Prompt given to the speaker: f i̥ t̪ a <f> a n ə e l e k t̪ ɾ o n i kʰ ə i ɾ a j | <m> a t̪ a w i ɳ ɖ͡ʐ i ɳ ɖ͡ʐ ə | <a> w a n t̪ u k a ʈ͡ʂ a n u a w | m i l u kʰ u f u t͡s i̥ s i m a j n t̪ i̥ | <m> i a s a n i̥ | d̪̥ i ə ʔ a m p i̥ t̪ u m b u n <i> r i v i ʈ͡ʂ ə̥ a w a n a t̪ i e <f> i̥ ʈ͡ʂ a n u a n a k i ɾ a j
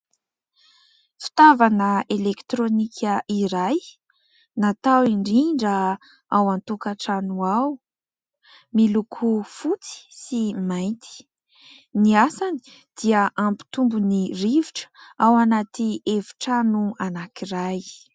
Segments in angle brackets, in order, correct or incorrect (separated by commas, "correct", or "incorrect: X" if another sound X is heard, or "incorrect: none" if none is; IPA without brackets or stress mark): incorrect: v, incorrect: n, correct, incorrect: n, correct, incorrect: v